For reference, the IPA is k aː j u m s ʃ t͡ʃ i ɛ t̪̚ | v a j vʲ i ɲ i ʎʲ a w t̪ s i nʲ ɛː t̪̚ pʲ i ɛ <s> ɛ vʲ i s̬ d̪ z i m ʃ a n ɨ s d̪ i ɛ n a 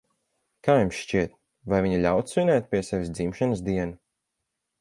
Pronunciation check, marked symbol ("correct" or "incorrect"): correct